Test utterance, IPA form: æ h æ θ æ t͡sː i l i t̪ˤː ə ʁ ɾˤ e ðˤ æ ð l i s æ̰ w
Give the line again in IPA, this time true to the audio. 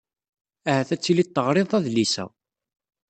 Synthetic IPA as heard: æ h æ θ æ t͡sː i l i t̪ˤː ə ʁ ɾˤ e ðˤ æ ð l i s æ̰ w